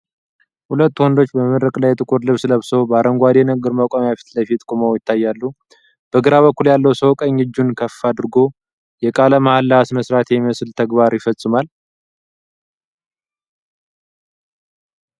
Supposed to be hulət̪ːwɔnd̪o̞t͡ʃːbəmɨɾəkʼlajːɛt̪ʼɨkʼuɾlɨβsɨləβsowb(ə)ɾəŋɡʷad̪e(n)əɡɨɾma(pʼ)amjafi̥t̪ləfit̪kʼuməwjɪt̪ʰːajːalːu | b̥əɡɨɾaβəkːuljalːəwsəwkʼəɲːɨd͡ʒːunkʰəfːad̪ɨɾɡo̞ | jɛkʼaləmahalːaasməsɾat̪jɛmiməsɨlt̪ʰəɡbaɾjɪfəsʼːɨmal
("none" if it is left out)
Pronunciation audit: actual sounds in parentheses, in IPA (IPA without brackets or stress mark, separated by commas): a, n, kʼ